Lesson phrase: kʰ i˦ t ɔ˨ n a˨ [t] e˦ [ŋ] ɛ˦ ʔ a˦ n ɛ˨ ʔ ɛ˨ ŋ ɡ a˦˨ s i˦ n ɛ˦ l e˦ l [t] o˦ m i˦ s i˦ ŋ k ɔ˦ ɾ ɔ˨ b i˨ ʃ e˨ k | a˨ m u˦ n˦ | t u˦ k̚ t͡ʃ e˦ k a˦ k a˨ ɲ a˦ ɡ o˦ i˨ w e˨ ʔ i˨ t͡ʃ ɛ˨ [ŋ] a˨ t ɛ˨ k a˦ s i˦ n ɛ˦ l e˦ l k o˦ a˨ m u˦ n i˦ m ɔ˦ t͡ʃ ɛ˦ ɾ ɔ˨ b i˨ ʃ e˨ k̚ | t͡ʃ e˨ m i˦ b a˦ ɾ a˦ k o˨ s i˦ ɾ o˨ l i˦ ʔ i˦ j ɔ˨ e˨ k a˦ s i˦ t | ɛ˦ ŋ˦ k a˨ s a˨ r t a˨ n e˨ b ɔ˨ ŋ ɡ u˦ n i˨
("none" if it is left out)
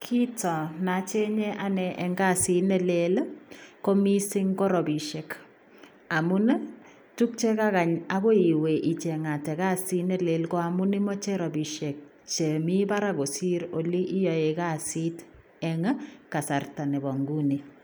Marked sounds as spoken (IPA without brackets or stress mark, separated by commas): t͡ʃ, ɲ, k, ŋ